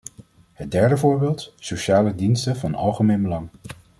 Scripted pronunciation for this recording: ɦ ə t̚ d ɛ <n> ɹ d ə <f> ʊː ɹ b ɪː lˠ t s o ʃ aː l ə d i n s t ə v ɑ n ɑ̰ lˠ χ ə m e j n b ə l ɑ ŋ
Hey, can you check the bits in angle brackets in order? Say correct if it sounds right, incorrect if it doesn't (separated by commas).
incorrect, incorrect